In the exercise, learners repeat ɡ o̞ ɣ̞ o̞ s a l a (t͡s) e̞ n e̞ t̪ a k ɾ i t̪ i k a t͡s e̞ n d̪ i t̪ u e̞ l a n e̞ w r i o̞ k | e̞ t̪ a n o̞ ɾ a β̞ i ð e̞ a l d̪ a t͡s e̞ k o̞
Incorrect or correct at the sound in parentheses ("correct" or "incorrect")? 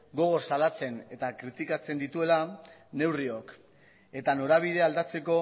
correct